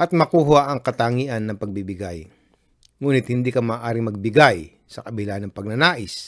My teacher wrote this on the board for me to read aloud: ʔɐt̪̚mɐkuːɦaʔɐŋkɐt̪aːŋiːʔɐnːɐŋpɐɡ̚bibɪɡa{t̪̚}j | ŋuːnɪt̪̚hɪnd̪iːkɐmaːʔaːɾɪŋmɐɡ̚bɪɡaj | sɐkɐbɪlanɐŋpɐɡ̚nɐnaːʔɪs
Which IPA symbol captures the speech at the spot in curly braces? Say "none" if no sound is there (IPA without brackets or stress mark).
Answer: none